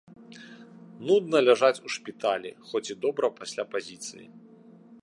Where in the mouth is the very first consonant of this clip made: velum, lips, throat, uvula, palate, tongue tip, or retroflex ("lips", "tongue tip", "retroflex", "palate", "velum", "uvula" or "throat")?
tongue tip